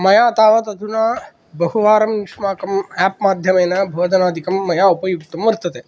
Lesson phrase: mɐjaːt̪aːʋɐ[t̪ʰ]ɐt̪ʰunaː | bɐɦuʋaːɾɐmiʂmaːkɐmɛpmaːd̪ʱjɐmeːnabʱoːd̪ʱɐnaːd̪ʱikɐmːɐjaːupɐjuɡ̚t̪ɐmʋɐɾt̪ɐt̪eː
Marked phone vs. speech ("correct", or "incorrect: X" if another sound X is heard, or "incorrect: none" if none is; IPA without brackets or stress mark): incorrect: t̪